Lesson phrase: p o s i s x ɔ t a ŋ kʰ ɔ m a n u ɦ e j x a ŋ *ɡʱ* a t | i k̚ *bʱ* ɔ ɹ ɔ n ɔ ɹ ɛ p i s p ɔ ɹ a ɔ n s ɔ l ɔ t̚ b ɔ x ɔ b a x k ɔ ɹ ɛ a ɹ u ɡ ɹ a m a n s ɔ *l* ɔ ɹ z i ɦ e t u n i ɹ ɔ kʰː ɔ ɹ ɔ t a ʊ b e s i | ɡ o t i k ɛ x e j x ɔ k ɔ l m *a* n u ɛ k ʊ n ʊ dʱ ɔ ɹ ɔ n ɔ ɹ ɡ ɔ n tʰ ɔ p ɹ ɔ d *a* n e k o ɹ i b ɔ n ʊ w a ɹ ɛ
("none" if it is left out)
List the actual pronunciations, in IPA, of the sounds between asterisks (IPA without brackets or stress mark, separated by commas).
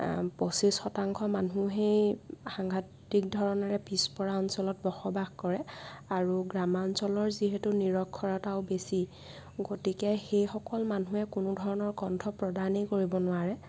ɡʱ, dʱ, l, a, a